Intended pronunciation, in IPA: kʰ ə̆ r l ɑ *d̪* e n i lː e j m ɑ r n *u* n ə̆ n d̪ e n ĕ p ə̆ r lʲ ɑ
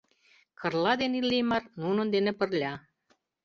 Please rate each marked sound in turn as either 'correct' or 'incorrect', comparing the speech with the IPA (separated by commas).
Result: correct, correct